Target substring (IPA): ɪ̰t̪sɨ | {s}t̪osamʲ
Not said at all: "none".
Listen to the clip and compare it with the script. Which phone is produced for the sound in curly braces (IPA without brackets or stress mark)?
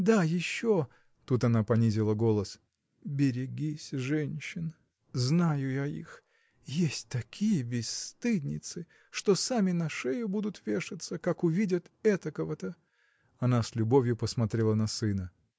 ʂ